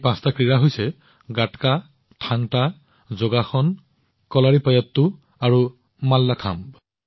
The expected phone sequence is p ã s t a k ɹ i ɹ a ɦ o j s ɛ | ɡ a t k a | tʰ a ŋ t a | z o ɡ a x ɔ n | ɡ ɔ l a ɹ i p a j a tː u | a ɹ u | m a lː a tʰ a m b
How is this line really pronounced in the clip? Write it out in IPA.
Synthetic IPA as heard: p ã s t a k ɹ i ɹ a ɦ o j s ɛ | ɡ a t k a | tʰ a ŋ t a | z o ɡ a x ɔ n | k ɔ l a ɹ i p a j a tː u | a ɹ u | m a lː a kʰ a m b